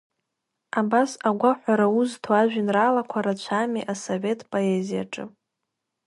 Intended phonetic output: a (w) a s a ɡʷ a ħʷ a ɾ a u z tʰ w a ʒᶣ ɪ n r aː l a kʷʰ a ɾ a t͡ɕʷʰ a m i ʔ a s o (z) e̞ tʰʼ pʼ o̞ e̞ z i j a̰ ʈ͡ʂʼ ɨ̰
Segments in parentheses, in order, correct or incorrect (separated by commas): incorrect, incorrect